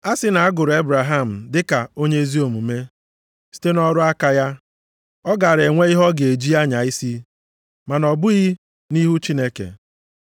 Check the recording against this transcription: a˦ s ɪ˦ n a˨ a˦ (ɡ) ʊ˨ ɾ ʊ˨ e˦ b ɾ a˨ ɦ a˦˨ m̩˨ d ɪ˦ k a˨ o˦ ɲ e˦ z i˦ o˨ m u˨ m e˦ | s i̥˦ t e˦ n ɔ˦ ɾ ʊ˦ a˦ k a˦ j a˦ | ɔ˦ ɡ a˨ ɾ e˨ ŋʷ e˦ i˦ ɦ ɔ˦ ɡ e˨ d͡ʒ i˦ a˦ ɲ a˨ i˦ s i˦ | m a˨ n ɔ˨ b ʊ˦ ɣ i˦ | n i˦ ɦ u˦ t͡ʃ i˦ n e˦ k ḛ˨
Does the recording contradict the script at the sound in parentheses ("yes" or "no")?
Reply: no